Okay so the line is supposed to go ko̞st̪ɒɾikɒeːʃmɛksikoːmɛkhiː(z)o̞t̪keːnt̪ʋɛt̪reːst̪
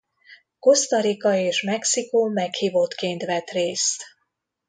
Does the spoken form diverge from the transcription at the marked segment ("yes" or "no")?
yes